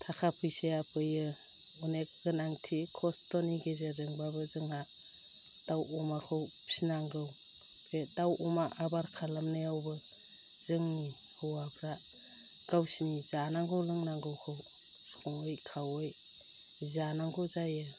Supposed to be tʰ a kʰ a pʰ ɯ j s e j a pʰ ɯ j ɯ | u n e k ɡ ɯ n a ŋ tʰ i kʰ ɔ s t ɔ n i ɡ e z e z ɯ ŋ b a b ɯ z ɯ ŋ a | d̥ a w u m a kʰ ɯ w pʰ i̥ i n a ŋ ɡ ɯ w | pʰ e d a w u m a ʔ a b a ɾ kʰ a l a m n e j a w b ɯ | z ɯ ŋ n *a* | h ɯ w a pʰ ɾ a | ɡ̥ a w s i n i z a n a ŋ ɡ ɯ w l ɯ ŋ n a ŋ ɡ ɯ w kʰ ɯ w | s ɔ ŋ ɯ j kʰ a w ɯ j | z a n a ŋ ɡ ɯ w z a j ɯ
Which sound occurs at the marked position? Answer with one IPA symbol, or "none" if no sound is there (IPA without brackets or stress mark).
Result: i